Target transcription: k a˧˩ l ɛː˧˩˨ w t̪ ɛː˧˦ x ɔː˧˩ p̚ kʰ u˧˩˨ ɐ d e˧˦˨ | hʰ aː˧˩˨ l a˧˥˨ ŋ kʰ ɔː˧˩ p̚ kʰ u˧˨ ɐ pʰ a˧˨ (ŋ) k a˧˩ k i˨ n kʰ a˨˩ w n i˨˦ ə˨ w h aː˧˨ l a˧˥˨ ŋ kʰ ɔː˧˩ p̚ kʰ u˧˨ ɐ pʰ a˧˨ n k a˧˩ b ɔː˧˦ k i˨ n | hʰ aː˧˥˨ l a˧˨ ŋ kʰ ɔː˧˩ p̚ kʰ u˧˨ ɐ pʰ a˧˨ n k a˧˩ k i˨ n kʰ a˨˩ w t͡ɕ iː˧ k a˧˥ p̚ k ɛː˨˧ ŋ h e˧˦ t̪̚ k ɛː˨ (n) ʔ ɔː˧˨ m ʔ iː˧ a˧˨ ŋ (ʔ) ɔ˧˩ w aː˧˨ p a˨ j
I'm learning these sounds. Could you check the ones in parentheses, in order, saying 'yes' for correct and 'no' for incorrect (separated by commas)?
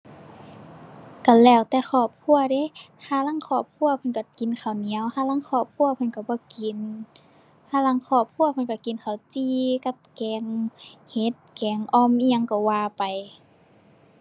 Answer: no, no, no